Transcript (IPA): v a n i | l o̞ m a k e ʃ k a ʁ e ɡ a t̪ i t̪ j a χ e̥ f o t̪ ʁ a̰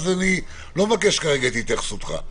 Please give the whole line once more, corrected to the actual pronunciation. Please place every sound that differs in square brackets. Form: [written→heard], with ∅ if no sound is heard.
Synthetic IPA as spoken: [v→z] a n i | l o̞ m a k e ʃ k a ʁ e ɡ a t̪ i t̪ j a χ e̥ [f→s] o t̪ [ʁ→χ] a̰